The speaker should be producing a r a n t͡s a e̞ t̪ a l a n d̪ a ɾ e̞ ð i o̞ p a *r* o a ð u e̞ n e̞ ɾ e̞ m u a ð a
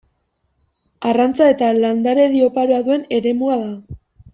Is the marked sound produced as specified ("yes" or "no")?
no